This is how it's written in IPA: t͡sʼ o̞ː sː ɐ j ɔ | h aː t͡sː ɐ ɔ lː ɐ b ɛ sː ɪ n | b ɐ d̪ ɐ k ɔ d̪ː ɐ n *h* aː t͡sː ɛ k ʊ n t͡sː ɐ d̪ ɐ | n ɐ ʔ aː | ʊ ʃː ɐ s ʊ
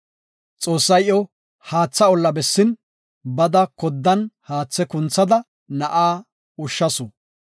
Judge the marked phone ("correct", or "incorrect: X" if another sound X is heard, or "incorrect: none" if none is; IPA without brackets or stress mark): correct